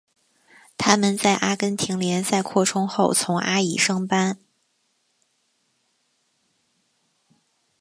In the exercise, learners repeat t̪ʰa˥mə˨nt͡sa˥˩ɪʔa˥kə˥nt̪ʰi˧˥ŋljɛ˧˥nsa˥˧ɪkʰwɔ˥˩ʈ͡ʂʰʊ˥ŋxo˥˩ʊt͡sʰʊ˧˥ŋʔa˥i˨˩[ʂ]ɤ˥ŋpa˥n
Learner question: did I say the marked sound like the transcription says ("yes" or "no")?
yes